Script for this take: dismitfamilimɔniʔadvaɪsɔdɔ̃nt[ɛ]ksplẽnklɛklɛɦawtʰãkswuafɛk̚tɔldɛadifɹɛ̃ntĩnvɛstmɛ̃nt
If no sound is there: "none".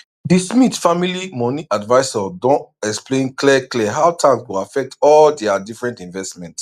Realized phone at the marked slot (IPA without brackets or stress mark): ɛ